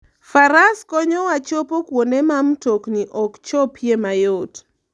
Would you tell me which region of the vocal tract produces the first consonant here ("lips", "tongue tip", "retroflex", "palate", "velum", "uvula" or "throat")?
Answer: lips